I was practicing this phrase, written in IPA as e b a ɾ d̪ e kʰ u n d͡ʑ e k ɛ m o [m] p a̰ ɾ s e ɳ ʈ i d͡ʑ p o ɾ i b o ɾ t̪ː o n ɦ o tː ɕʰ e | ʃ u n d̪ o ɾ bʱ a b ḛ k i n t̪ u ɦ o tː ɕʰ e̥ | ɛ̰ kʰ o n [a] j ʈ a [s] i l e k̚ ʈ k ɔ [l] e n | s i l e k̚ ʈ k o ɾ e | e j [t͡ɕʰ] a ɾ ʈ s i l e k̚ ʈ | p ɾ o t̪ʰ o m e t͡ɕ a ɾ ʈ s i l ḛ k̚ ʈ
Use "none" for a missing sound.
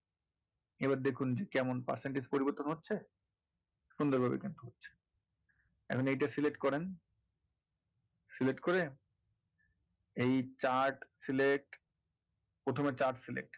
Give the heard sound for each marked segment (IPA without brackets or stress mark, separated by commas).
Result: n, e, s, ɾ, t͡ɕ